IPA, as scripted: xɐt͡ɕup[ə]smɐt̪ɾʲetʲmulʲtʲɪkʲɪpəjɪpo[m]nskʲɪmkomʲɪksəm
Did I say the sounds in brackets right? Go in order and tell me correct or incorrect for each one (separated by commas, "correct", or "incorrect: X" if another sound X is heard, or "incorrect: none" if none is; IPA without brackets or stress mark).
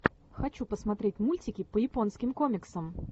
correct, incorrect: none